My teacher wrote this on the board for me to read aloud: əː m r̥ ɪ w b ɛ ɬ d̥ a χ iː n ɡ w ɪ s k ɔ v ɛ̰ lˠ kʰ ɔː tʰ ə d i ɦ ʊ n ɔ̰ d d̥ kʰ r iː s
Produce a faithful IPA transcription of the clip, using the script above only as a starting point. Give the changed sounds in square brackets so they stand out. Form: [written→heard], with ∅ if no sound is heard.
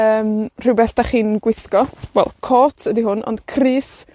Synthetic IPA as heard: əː m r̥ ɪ w b ɛ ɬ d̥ a χ iː n ɡ w ɪ s k ɔ [v→w] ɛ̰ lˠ kʰ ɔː tʰ ə d i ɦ ʊ n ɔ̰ [d→n] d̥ kʰ r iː s

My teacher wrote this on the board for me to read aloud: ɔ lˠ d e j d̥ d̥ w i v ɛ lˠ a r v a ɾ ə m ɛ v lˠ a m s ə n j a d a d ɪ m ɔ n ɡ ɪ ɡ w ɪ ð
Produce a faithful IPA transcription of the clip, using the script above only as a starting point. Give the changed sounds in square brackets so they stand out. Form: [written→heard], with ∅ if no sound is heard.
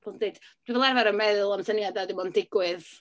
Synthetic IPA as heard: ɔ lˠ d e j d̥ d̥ w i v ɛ lˠ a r v a ɾ ə m ɛ [v→ð] lˠ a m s ə n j a d a d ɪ m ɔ n [ɡ→d] ɪ ɡ w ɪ ð

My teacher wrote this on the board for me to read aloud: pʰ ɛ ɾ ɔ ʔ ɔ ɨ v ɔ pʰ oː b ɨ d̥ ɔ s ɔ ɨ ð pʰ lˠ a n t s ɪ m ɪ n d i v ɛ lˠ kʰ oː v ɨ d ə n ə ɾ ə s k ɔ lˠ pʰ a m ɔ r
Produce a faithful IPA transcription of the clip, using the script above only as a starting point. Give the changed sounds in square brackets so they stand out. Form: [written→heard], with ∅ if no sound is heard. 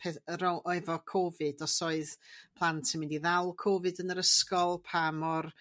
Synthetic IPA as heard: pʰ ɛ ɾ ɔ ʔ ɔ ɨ v ɔ [pʰ→kʰ] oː [b→v] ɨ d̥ ɔ s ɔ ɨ ð pʰ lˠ a n t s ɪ m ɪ n d i [v→ð] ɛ lˠ kʰ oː v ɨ d ə n ə ɾ ə s k ɔ lˠ pʰ a m ɔ r

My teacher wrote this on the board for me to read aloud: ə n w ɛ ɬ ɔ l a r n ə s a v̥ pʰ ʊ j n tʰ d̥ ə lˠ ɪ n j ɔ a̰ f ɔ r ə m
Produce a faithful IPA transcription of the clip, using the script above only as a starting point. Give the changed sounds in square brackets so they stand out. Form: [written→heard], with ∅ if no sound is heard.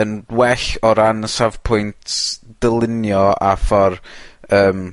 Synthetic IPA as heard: ə n w ɛ ɬ ɔ [l→ɾ] a [r→∅] n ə s a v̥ pʰ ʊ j n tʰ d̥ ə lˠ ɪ n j ɔ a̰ f ɔ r [ə→əː] m

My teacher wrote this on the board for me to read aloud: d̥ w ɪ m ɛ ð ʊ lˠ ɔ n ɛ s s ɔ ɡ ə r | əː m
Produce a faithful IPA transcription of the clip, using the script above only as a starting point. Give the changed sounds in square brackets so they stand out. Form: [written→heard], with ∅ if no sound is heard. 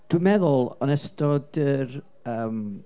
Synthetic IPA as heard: d̥ w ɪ m ɛ ð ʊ lˠ ɔ n ɛ s [s→t] ɔ [ɡ→d] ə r | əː m

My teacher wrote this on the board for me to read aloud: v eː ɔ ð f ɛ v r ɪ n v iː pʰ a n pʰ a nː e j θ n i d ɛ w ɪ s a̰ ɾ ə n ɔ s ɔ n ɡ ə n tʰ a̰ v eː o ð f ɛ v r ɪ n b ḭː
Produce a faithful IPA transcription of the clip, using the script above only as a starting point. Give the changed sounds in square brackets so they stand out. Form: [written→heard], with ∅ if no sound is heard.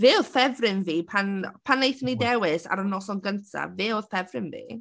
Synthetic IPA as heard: v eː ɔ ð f ɛ v r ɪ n v iː pʰ a n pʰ a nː e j θ n i d ɛ w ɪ s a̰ ɾ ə n ɔ s ɔ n ɡ ə n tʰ a̰ v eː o ð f ɛ v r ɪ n [b→v] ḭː

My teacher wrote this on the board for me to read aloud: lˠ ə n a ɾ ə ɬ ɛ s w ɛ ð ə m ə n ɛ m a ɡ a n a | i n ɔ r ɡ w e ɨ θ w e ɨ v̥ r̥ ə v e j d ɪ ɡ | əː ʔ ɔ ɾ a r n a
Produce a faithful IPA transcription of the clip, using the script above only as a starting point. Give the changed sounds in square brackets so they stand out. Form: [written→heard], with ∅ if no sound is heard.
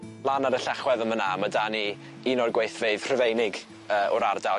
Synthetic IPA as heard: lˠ [ə→a] n a ɾ ə ɬ ɛ [s→χ] w ɛ ð ə m ə n [ɛ→a] m a [ɡ→d] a n [a→i] | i n ɔ r ɡ w e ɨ θ [w→v] e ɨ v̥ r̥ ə v e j [d→n] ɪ ɡ | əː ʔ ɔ ɾ a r [n→d] a

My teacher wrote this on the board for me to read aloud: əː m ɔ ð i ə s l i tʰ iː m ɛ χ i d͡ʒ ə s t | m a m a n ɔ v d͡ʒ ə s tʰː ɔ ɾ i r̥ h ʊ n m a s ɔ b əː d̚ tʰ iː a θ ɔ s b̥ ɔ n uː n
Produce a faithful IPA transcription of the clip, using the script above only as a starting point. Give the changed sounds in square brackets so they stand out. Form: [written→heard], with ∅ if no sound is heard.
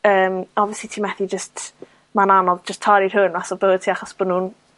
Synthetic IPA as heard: əː m ɔ [ð→v] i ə s l i tʰ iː m ɛ [χ→θ] i d͡ʒ ə s t | m a [m→n] a n ɔ v d͡ʒ ə s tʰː ɔ ɾ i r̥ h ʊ n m a s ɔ b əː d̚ tʰ iː a [θ→χ] ɔ s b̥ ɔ n uː n

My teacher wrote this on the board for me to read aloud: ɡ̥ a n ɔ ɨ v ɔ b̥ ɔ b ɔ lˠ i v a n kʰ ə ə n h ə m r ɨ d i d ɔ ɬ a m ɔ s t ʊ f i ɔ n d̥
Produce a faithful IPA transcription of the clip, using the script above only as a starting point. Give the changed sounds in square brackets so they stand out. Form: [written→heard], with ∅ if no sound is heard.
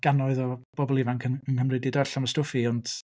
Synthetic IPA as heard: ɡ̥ a n ɔ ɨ [v→ð] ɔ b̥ ɔ b ɔ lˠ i v a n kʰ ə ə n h ə m r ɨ d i d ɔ ɬ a m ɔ s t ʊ f i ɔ n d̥

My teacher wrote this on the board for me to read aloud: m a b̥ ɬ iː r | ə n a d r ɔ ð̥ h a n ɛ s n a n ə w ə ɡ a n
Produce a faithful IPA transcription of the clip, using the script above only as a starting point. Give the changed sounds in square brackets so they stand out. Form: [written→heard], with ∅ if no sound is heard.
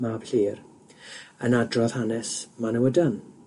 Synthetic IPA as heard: m a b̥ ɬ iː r | ə n a d r ɔ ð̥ h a n ɛ s [n→m] a n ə w ə [ɡ→d] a n

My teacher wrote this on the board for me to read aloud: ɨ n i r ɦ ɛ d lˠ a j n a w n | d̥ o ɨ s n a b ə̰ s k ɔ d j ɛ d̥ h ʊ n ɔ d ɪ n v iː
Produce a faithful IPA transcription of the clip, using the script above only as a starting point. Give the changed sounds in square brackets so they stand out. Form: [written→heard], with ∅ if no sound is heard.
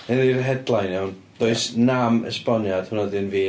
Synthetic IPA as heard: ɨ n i r ɦ ɛ d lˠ a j n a w n | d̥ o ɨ s n a [b→m] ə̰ s [k→p] ɔ [d→n] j [ɛ→a] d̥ h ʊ n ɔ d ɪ n v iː

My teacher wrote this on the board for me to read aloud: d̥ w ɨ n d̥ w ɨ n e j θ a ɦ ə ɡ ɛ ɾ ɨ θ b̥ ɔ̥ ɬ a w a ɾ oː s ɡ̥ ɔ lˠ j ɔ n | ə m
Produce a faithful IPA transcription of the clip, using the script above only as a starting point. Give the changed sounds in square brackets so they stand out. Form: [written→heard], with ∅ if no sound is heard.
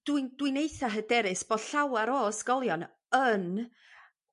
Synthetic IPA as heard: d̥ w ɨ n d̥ w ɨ n e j θ a ɦ ə [ɡ→d] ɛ ɾ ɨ [θ→s] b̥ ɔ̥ ɬ a w a ɾ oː s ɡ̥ ɔ lˠ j ɔ n | ə [m→n]

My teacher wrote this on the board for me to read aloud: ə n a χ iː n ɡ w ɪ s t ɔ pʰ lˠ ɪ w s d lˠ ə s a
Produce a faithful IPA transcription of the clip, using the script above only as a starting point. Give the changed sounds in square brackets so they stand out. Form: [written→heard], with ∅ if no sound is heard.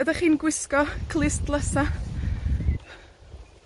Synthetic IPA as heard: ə [n→d] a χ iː n ɡ w ɪ s [t→k] ɔ [pʰ→kʰ] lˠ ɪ [w→∅] s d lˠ ə s a

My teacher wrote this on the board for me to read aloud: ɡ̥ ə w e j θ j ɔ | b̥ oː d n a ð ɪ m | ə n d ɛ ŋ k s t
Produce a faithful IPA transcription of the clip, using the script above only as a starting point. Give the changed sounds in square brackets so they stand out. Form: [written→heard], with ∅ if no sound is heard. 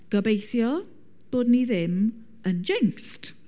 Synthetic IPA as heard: ɡ̥ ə [w→b] e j θ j ɔ | b̥ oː d n [a→i] ð ɪ m | ə n [d→d͡ʒ] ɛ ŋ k s t

